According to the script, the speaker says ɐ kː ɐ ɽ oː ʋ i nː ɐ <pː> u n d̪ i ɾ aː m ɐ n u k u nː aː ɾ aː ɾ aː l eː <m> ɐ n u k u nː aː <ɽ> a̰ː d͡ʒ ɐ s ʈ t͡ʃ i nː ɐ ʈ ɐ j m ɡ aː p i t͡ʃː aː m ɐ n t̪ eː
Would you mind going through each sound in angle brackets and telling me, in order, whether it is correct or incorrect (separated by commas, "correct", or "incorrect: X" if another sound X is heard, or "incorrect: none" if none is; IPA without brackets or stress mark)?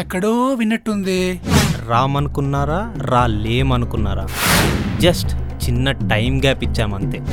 incorrect: ʈː, correct, incorrect: ɾ